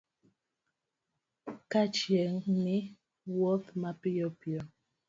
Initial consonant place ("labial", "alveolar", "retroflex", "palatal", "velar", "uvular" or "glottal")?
velar